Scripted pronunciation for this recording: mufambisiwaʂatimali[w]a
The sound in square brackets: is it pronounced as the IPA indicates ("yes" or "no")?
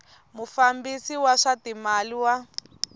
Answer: yes